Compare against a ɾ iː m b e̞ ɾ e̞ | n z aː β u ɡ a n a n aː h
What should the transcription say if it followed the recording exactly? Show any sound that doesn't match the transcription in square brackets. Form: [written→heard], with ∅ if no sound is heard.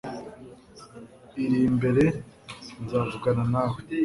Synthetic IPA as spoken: [a→i] ɾ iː m b e̞ ɾ e̞ | n z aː [β→v] u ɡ a n a n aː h

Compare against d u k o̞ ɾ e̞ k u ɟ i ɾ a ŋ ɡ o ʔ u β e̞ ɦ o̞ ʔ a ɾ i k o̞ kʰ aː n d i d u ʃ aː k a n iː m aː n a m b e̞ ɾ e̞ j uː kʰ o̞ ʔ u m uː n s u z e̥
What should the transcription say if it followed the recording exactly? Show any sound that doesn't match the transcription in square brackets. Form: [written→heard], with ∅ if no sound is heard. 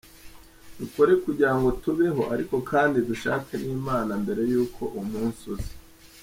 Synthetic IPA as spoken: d u k o̞ ɾ e̞ k u ɟ i ɾ a ŋ ɡ o [ʔ→t] u β e̞ ɦ o̞ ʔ a ɾ i k o̞ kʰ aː n d i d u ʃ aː k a n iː m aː n a m b e̞ ɾ e̞ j uː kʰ o̞ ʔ u m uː n s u z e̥

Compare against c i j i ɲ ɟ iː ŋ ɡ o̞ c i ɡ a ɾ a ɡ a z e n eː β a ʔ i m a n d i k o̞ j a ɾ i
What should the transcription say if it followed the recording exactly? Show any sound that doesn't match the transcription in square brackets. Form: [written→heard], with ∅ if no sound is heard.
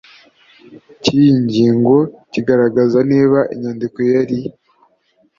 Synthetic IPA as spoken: c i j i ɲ ɟ iː ŋ ɡ o̞ c i ɡ a ɾ a ɡ a z [e→a] n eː β a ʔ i [m→ɲ] a n d i k o̞ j a ɾ i

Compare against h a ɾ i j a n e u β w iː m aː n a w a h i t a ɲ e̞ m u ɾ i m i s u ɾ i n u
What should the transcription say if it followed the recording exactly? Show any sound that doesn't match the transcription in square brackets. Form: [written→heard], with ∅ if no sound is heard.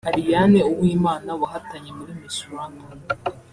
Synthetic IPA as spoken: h a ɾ i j a n e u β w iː m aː n a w a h [i→a] t a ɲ e̞ m u ɾ i m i s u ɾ [i→a] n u

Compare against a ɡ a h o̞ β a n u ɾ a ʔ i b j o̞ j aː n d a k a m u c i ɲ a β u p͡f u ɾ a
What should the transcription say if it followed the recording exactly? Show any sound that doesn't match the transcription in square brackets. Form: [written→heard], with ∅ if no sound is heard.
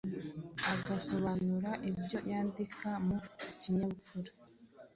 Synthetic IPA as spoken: a ɡ a [h→s] o̞ β a n u ɾ a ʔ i b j o̞ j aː n d [a→i] k a m u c i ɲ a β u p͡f u ɾ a

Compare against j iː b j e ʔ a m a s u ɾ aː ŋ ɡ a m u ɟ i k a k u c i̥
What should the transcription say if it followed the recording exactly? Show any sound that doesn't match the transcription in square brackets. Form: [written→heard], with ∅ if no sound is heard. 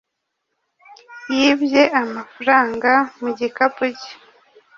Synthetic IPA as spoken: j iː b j e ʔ a m a [s→f] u ɾ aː ŋ ɡ a m u ɟ i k a [k→p] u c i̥

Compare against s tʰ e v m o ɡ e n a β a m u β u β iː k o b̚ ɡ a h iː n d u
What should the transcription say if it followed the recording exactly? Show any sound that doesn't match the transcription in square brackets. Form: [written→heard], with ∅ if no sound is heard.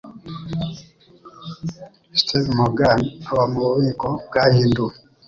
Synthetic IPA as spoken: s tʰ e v m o ɡ [e→a] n a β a m u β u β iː k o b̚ ɡ a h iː n d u

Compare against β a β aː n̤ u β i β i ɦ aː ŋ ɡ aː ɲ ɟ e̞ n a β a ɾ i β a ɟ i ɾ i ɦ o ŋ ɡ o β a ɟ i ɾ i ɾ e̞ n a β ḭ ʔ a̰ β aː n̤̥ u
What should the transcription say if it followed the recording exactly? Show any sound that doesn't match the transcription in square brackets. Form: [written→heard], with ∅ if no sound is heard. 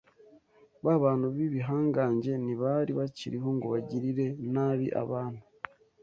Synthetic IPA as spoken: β a β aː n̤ u β i β i ɦ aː ŋ ɡ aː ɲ ɟ e̞ n [a→i] β a ɾ i β a [ɟ→c] i ɾ i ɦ o ŋ ɡ o β a ɟ i ɾ i ɾ e̞ n a β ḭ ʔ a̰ β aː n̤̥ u

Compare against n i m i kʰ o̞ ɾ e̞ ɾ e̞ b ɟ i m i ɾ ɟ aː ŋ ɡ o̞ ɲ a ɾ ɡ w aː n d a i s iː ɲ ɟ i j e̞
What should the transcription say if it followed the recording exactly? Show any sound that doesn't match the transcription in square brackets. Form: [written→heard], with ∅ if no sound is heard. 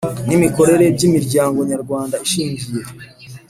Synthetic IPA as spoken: n i m i [kʰ→k] o̞ ɾ e̞ ɾ e̞ b ɟ i m i ɾ ɟ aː ŋ ɡ o̞ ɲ a ɾ ɡ w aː n d a i [s→ʃ] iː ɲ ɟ i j e̞

